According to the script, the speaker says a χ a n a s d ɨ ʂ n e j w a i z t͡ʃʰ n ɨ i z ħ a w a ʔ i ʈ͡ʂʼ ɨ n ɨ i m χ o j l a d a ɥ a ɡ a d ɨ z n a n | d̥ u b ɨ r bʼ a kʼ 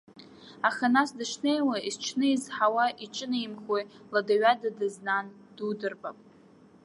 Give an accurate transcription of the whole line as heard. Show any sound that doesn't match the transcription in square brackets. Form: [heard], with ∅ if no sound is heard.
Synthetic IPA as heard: a χ a n a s d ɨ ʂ n e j w a i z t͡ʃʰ n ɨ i z ħ a w a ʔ i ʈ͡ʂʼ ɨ n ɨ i m χ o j l a d a ɥ a [d] a d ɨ z n a n | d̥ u [d] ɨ r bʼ a [pʼ]